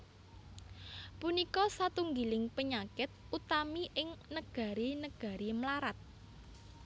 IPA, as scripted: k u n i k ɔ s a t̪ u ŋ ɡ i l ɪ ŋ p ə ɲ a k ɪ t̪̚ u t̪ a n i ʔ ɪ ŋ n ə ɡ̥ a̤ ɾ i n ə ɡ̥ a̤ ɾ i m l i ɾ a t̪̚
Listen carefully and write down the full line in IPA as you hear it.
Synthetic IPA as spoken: p u n i k ɔ s a t̪ u ŋ ɡ i l ɪ ŋ p ə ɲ a k ɪ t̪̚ u t̪ a m i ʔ ɪ ŋ n ə ɡ̥ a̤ ɾ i n ə ɡ̥ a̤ ɾ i m l a ɾ a t̪̚